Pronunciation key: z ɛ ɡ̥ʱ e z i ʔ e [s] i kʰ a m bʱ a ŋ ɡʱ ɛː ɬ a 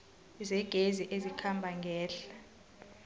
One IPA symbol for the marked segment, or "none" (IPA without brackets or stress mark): z